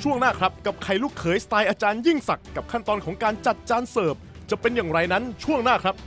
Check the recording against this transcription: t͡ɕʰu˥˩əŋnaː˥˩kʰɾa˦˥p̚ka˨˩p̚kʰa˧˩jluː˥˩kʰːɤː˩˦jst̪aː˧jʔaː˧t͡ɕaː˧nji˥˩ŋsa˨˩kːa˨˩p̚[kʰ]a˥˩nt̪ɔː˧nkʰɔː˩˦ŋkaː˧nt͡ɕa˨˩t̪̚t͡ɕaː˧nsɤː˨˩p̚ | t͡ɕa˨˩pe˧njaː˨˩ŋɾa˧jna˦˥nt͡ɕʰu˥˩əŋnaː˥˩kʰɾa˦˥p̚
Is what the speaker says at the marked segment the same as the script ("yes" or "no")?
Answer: yes